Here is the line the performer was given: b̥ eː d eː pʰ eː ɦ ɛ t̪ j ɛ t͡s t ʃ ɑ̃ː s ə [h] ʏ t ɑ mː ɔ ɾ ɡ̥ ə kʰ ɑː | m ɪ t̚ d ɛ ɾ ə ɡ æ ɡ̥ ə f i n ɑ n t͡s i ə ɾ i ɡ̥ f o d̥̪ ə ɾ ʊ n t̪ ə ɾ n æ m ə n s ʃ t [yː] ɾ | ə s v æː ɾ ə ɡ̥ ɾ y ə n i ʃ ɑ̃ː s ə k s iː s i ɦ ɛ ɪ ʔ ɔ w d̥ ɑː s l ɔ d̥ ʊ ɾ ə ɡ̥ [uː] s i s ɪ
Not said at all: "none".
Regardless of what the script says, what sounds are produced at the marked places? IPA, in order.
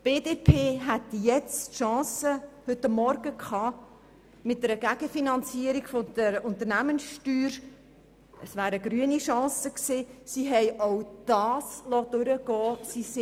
h, yː, ɔː

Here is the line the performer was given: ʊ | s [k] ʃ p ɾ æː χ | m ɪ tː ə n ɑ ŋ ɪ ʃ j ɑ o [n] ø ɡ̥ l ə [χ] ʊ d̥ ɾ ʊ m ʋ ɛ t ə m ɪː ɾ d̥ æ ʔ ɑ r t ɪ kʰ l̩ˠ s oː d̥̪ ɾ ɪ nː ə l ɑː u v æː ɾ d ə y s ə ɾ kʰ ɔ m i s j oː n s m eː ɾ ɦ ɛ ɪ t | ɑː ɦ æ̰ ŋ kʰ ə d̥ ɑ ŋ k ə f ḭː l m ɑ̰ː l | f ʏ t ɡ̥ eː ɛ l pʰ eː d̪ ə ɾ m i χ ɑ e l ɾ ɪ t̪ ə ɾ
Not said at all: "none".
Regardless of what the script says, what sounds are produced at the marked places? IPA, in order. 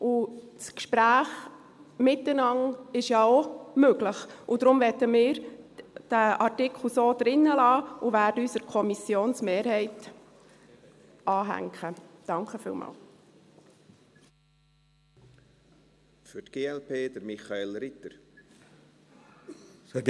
k, m, χ

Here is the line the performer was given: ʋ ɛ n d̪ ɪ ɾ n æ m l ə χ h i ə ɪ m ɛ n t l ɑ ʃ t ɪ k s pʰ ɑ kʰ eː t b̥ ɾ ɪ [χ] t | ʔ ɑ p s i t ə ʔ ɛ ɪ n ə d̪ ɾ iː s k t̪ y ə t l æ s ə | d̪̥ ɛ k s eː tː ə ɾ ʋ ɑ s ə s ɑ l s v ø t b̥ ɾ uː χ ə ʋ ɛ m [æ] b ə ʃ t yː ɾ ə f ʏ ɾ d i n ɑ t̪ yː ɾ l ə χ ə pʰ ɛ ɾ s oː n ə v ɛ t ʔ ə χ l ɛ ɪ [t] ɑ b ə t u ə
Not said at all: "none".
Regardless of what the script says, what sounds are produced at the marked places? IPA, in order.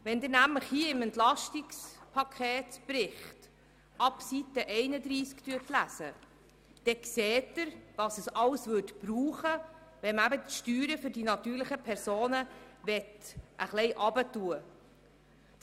χ, æ, ʔ

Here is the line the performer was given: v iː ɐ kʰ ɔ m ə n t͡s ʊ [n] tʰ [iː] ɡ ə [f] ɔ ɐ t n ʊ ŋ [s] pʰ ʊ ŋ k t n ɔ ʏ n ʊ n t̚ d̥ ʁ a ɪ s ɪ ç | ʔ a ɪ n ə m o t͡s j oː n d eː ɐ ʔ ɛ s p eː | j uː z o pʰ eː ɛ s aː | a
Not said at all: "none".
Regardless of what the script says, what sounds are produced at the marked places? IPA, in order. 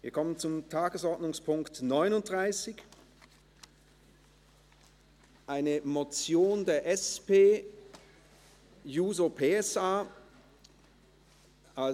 m, aː, s, s

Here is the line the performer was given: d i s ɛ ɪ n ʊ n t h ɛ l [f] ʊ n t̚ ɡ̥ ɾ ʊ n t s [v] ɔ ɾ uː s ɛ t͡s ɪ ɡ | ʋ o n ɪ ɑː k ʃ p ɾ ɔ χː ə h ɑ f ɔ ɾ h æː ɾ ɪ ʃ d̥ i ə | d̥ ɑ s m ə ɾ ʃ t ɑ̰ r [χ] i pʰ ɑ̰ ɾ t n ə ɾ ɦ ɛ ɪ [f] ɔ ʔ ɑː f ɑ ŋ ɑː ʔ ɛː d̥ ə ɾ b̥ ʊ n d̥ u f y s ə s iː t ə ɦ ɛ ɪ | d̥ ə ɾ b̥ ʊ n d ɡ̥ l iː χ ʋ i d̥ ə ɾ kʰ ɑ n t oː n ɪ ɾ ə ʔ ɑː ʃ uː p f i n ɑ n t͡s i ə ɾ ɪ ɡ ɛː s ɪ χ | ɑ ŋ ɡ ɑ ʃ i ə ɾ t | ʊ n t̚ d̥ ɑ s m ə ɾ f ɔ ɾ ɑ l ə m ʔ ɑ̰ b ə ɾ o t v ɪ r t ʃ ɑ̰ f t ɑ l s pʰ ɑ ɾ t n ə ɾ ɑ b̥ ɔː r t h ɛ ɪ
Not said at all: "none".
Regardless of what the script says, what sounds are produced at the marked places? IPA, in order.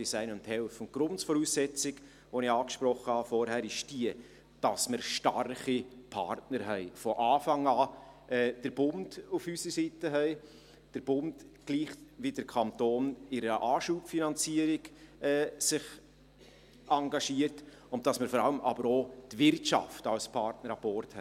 f, f, χ, f

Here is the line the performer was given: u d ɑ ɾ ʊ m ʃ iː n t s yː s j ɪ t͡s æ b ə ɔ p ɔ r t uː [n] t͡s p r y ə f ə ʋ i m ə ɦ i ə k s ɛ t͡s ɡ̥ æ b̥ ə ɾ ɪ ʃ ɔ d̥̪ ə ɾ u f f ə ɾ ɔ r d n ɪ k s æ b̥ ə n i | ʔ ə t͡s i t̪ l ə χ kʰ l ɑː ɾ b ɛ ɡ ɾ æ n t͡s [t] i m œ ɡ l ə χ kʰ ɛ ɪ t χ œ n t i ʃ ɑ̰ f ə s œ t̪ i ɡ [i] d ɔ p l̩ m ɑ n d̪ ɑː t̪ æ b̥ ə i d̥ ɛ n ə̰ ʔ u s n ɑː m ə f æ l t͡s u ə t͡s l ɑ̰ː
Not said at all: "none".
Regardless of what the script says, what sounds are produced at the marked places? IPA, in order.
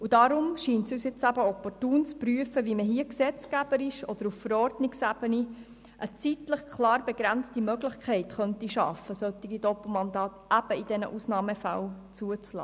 n, t, i

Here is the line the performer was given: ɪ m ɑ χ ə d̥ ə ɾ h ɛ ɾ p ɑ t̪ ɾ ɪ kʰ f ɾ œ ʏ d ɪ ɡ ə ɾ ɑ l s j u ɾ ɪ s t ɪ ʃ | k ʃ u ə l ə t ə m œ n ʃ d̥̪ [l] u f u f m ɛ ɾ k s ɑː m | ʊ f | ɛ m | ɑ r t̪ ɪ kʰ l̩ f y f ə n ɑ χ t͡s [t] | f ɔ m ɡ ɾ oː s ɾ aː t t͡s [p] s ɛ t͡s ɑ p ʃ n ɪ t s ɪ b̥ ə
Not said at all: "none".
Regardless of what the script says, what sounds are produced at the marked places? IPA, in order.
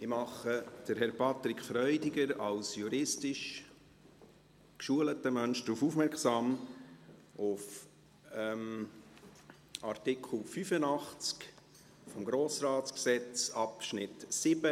ɾ, k, k

